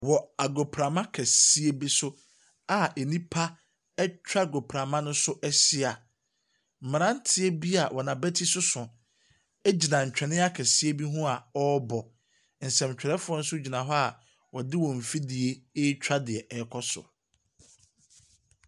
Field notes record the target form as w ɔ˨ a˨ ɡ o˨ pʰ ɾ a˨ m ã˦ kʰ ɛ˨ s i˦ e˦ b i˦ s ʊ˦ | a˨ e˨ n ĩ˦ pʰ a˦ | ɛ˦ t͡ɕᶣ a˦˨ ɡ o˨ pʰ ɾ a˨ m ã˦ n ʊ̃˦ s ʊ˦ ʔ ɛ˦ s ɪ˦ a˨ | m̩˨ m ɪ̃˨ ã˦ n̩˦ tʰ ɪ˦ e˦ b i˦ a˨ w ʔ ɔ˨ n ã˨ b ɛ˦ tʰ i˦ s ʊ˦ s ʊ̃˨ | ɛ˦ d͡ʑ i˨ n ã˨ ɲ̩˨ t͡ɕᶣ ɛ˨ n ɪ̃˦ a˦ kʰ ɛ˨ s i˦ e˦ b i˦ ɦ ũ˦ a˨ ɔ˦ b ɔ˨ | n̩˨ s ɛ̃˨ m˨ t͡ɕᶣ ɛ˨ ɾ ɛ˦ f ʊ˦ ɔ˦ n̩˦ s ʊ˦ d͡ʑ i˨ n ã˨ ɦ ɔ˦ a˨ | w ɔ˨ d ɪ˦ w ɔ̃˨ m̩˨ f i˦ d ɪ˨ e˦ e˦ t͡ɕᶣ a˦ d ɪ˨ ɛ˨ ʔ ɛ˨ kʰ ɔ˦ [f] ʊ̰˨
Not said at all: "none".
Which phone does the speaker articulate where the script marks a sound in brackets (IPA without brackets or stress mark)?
s